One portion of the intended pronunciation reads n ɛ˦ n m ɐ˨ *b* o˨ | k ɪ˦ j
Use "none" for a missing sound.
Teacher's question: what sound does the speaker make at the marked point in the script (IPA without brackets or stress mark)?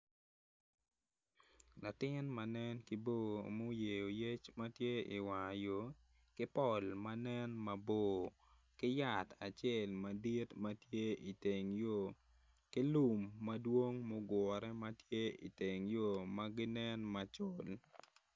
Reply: b